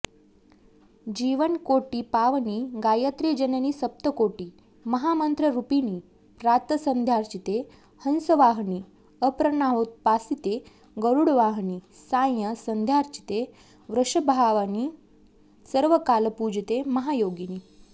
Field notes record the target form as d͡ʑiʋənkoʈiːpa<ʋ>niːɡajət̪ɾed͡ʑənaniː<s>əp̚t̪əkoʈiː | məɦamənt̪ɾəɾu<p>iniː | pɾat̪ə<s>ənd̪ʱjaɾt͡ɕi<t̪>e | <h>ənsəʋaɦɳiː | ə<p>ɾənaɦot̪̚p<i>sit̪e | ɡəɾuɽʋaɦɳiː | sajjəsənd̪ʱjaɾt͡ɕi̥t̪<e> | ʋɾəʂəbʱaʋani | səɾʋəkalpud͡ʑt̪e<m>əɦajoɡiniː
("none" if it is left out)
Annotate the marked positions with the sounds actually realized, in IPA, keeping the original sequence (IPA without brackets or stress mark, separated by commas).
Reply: ʋ, s, p, s, t̪, h, p, a, e, m